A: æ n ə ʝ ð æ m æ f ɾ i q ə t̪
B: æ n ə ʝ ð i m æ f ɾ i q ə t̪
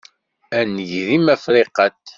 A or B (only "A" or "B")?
B